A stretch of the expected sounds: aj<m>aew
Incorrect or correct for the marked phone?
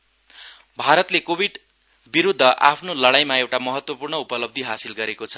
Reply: correct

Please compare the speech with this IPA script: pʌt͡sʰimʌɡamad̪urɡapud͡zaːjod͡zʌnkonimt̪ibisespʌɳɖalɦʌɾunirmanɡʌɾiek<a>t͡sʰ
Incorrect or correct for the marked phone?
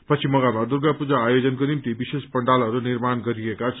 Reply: correct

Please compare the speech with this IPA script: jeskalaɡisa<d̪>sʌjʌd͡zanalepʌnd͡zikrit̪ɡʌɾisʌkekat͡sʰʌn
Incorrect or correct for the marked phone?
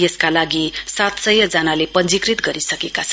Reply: incorrect: t̪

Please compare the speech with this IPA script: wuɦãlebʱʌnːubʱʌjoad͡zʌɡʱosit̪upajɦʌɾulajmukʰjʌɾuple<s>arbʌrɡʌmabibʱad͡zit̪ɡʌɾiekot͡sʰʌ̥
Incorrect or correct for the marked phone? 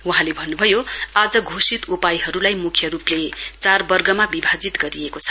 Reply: incorrect: t͡s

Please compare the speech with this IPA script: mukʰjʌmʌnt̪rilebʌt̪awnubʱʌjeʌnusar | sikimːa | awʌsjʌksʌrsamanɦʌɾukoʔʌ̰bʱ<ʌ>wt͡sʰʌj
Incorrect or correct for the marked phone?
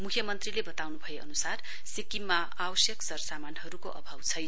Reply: incorrect: a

